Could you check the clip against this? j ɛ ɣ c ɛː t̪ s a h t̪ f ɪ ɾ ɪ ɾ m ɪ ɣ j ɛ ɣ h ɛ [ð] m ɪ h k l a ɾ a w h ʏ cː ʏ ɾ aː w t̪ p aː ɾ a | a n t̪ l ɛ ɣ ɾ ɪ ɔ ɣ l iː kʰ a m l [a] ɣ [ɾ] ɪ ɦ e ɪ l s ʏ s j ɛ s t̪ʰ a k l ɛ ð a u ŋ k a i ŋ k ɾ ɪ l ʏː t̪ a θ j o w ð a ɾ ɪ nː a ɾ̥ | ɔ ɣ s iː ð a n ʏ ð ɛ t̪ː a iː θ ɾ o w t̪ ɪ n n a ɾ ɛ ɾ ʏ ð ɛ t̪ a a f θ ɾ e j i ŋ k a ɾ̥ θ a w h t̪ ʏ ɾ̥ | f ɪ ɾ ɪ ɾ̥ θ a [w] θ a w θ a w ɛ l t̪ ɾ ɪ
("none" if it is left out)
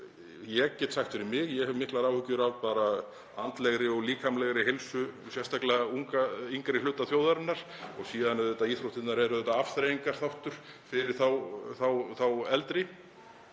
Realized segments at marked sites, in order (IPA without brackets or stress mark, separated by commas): v, ɛ, ɾ, w